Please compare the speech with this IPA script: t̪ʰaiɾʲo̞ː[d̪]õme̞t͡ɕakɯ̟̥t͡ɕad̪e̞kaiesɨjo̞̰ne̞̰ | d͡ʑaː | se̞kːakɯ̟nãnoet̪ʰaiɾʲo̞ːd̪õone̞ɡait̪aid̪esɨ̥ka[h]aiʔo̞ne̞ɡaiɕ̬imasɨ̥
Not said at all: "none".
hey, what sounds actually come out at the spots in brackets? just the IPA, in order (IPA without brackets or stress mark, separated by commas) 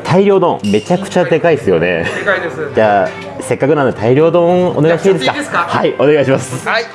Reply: d̪, h